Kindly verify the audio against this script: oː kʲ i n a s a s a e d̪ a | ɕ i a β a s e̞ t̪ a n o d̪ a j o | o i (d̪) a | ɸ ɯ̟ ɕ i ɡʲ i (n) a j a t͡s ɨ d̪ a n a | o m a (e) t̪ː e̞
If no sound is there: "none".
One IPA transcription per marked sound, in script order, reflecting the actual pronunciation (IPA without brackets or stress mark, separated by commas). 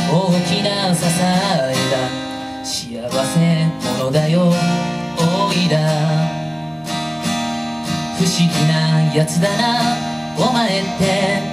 d̪, n, e